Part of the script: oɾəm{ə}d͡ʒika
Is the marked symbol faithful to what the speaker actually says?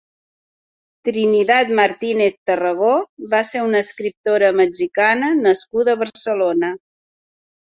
yes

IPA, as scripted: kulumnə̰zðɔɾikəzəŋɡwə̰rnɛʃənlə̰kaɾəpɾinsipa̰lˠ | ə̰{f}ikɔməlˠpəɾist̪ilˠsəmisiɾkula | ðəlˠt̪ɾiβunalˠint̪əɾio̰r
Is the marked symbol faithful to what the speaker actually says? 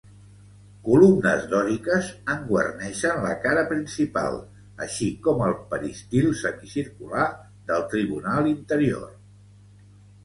no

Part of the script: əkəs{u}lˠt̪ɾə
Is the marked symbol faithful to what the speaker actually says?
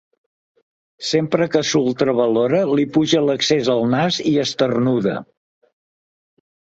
yes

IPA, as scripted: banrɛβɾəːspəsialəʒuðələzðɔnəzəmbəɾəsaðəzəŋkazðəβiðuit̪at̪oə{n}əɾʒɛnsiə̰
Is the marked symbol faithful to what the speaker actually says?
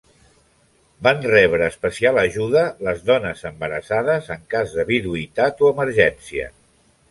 no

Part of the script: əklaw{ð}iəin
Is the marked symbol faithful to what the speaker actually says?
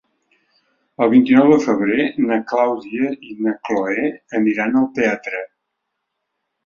no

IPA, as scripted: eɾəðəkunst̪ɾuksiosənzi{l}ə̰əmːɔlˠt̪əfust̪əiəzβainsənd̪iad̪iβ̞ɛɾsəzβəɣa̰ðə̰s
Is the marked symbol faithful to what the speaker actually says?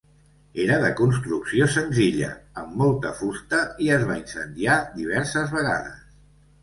no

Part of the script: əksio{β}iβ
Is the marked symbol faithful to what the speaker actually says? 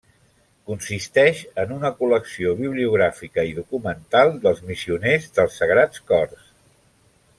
yes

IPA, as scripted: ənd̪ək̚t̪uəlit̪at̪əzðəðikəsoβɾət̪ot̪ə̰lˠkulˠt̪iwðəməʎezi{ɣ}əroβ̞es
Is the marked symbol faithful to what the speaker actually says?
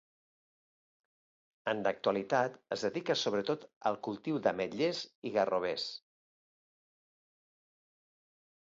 yes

